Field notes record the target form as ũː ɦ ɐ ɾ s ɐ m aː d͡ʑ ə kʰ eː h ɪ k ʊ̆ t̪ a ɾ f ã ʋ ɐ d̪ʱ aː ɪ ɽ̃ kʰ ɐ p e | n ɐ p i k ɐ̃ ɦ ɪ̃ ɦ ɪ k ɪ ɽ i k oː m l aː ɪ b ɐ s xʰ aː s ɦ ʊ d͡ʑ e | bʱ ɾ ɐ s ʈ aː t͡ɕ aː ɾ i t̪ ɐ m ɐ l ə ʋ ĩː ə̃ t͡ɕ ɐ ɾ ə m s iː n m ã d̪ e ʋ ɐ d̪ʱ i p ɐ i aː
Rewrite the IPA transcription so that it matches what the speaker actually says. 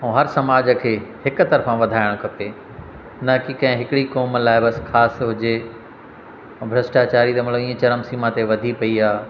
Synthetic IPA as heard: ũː ɦ ɐ ɾ s ɐ m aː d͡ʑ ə kʰ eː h ɪ k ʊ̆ t̪ ɐ ɾ f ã ʋ ɐ d̪ʱ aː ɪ ɽ̃ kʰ ɐ p e | n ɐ k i k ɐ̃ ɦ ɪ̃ ɦ ɪ k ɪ ɽ i k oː m l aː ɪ b ɐ s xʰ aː s ɦ ʊ d͡ʑ e | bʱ ɾ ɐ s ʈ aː t͡ɕ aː ɾ i t̪ ɐ m ɐ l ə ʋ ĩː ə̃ t͡ɕ ɐ ɾ ə m s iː m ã t̪ e ʋ ɐ d̪ʱ i p ɐ i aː